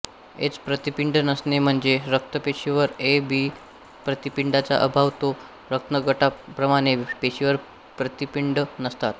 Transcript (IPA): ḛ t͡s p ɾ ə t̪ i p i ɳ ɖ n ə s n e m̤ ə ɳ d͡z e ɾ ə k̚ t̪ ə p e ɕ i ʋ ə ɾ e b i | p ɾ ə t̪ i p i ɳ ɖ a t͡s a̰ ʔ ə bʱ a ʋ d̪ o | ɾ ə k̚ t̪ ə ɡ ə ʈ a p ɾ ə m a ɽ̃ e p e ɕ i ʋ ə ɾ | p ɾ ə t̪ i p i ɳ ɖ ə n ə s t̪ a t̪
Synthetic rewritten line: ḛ t͡s p ɾ ə t̪ i p i ɳ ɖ n ə s n e m̤ ə ɳ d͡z e ɾ ə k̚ t̪ ə p e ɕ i ʋ ə ɾ e b i | p ɾ ə t̪ i p i ɳ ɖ a t͡s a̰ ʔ ə bʱ a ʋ t̪ o | ɾ ə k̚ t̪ ə ɡ ə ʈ a p ɾ ə m a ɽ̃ e p e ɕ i ʋ ə ɾ | p ɾ ə t̪ i p i ɳ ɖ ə n ə s t̪ a t̪